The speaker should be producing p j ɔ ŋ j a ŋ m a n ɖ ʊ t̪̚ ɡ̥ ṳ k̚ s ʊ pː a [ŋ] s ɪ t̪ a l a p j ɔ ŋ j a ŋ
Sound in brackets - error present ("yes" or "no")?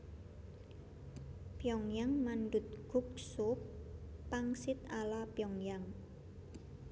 no